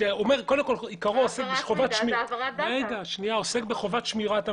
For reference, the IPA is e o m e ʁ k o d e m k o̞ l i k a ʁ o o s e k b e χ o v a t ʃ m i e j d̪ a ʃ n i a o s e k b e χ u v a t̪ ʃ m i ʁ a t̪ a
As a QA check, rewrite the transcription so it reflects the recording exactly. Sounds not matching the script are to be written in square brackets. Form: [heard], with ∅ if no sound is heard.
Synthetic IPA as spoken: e o m e ʁ k o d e m k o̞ l i k a ʁ o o s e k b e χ o v a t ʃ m i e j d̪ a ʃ n i a o s e k b e χ [o] v a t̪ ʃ m i ʁ a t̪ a